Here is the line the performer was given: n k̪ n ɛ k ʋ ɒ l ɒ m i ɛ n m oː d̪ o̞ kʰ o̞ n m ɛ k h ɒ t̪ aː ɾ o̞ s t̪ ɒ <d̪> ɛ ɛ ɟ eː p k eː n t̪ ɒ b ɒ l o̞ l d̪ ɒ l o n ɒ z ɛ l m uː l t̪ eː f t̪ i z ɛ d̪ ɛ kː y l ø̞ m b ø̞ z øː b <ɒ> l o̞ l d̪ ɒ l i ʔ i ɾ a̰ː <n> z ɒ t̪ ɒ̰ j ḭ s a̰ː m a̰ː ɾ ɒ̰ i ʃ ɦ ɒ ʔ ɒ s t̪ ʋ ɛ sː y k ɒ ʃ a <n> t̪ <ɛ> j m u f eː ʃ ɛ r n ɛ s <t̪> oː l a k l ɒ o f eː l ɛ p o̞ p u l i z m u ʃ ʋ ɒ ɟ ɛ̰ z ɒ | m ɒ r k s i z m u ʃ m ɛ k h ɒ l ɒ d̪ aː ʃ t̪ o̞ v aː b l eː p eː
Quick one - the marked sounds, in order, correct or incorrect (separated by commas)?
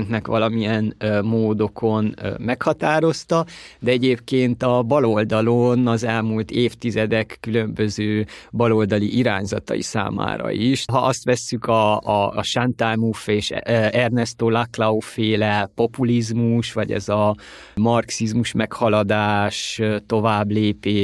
correct, correct, incorrect, correct, incorrect, correct